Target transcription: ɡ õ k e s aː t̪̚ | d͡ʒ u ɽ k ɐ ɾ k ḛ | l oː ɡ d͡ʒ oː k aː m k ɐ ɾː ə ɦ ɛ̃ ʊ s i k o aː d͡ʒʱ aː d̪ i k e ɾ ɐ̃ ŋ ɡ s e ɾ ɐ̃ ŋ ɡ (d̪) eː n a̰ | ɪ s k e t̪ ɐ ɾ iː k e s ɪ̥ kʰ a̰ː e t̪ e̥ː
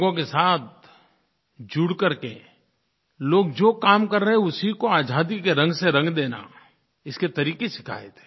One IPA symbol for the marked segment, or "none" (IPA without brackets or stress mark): d̪